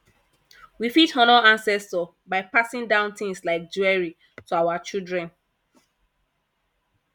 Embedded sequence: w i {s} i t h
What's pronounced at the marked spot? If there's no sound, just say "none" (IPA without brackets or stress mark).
f